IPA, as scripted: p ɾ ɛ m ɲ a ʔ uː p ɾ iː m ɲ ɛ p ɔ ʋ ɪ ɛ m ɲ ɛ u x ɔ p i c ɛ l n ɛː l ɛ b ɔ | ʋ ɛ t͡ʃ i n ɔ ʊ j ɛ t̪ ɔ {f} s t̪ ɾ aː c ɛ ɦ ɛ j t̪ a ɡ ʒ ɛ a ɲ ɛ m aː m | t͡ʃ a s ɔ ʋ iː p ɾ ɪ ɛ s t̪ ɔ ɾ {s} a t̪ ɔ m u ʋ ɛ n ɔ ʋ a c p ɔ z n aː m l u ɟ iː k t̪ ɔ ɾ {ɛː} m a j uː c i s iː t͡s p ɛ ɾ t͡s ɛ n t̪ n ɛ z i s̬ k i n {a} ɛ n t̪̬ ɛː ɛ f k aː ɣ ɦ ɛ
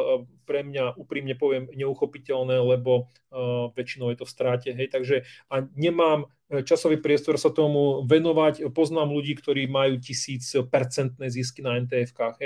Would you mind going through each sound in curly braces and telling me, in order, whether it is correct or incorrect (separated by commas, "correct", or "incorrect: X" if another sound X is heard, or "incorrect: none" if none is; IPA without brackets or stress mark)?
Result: correct, correct, incorrect: iː, correct